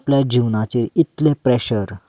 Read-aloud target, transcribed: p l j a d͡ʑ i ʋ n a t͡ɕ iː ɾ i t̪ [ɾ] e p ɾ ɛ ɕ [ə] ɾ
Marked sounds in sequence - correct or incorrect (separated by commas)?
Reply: incorrect, correct